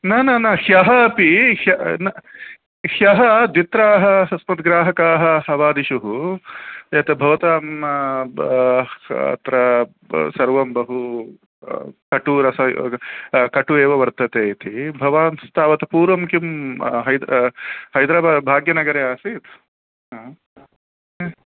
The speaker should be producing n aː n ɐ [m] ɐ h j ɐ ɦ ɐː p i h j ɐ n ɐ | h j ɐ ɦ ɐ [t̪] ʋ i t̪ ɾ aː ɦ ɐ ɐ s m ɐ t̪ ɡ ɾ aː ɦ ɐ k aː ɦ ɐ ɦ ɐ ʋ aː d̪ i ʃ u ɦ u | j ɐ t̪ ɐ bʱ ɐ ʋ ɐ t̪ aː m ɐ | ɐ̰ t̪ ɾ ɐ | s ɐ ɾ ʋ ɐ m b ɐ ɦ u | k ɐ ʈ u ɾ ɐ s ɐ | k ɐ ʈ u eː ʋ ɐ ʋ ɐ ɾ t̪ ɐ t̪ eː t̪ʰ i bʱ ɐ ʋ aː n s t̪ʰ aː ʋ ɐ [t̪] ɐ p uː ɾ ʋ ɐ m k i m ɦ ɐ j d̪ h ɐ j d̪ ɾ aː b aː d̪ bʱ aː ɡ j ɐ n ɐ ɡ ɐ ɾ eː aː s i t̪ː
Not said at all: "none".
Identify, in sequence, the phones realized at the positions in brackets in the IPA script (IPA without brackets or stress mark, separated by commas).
n, d̪, t̪